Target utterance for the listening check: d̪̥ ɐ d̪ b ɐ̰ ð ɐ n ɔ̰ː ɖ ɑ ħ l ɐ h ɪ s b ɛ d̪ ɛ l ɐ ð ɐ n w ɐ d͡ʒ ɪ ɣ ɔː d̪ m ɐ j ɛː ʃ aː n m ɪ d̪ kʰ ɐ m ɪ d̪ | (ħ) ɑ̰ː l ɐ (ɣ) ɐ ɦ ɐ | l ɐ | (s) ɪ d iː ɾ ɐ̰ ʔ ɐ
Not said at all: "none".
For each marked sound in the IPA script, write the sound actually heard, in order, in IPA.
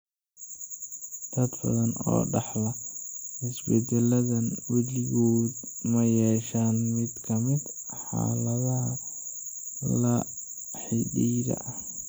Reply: ħ, ð, ħ

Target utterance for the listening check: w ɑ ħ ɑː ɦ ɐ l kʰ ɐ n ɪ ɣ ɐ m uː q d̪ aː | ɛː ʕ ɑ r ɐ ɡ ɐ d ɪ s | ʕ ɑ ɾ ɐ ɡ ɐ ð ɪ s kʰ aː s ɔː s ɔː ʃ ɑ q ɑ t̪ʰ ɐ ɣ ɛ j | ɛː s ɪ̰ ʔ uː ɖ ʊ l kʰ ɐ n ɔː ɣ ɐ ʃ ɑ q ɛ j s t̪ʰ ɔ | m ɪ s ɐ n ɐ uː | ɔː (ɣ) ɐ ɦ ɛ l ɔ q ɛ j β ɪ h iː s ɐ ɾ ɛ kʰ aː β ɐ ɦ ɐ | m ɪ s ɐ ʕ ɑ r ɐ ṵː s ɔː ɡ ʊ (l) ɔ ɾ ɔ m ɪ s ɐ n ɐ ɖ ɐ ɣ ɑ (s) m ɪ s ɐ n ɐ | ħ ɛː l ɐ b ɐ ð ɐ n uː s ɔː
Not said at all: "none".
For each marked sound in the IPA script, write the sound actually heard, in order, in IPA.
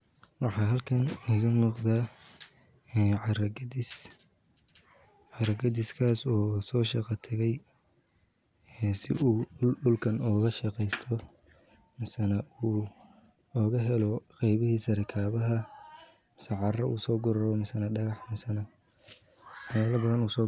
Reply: ɣ, ɾ, ħ

